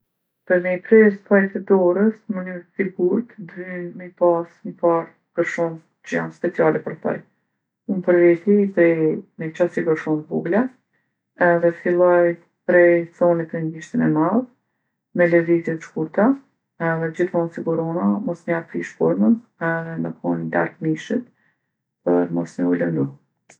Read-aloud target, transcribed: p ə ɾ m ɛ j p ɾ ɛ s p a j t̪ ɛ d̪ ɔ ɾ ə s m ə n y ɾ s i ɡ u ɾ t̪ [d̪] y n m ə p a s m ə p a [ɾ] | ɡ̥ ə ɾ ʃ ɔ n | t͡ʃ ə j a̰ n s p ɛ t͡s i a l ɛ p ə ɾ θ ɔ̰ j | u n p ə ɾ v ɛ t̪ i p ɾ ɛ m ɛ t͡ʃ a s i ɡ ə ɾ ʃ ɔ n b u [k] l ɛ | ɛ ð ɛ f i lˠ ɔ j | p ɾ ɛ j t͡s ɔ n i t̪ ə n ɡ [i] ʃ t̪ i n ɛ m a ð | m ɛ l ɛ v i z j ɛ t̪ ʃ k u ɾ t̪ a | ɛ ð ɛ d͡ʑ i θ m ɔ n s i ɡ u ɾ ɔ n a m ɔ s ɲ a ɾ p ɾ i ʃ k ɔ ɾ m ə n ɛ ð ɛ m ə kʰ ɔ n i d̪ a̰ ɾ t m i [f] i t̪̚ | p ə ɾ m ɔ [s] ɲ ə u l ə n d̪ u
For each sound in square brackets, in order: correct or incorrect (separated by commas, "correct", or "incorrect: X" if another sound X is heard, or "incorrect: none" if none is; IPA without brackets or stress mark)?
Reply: correct, correct, incorrect: ɡ, correct, incorrect: ʃ, correct